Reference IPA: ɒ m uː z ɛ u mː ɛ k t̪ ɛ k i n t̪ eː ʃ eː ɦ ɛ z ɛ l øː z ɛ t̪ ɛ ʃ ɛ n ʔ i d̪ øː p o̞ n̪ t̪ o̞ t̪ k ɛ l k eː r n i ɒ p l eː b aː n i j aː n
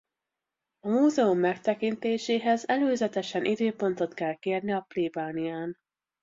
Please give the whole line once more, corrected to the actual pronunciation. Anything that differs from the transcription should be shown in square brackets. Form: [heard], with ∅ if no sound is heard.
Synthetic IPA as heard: ɒ m uː z ɛ u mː ɛ k t̪ ɛ k i n t̪ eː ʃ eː ɦ ɛ z ɛ l øː z ɛ t̪ ɛ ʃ ɛ n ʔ i d̪ øː p o̞ n̪ t̪ o̞ t̪ k ɛ l k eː r n i ɒ p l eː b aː n i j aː n